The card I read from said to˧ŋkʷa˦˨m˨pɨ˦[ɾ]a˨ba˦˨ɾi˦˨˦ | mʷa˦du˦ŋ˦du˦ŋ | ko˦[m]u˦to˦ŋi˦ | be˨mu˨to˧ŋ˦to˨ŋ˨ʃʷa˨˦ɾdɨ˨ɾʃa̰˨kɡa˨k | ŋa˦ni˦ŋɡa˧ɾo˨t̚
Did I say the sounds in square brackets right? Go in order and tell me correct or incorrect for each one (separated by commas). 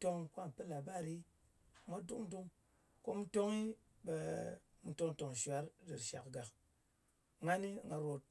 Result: incorrect, correct